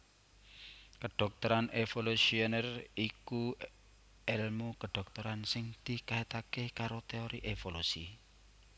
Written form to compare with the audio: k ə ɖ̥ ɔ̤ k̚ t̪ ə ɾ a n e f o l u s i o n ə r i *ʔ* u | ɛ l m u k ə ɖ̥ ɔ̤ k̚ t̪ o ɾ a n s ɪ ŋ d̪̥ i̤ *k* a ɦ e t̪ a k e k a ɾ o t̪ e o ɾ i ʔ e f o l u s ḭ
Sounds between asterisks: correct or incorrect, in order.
incorrect, correct

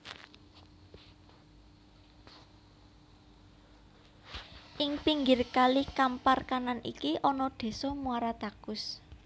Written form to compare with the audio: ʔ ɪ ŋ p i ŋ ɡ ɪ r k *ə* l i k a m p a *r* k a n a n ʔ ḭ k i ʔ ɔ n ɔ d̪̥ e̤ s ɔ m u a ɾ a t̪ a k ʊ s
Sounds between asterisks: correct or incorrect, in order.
incorrect, correct

